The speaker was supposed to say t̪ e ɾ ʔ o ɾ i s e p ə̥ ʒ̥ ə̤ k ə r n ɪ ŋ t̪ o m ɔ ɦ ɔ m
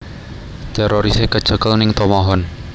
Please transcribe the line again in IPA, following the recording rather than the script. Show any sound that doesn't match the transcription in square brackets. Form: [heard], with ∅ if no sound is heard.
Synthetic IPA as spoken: t̪ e ɾ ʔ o ɾ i s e [k] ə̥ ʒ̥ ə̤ k ə [l] n ɪ ŋ t̪ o m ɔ ɦ ɔ [n]